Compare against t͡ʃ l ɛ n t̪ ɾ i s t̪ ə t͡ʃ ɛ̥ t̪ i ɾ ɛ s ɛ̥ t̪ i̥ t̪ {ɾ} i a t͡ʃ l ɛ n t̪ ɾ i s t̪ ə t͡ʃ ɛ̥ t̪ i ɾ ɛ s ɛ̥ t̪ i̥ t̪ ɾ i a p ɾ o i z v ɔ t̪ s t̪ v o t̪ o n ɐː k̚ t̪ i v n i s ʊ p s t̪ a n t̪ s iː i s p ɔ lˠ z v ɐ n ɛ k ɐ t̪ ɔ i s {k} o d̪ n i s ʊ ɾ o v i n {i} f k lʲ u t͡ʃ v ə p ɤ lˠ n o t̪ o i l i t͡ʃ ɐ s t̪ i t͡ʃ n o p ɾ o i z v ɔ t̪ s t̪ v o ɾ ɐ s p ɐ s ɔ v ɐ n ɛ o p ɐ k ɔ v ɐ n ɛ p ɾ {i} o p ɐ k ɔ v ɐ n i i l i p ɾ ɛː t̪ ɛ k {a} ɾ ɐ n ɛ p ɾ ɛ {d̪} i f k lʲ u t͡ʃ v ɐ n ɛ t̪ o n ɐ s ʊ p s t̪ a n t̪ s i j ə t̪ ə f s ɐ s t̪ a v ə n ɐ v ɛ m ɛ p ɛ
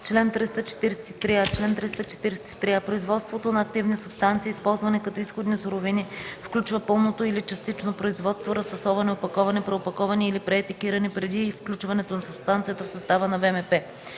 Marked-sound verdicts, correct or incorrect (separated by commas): correct, incorrect, correct, incorrect, incorrect, correct